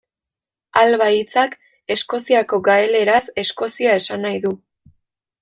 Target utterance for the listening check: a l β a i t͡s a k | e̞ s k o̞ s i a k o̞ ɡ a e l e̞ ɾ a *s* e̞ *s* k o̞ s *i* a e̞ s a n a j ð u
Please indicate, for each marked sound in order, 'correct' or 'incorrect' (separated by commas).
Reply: correct, correct, correct